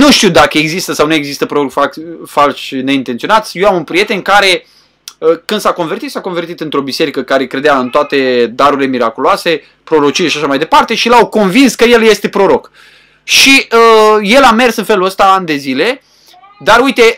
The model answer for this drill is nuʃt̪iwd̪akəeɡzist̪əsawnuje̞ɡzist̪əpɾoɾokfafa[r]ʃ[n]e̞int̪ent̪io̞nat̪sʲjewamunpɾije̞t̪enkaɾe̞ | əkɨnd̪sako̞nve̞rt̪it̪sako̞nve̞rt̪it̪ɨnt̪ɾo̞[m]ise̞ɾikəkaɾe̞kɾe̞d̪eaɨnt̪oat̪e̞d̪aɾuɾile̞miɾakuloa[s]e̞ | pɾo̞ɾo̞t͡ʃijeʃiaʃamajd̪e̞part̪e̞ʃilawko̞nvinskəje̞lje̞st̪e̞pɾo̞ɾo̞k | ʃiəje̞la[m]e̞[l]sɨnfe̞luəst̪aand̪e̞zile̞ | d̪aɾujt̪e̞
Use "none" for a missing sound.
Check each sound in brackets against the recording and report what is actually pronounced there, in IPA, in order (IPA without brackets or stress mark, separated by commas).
l, n, b, s, m, r